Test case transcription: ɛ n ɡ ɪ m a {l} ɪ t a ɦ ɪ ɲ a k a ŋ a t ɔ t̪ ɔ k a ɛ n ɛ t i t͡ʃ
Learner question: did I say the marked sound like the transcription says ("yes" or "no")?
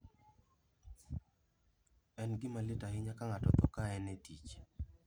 yes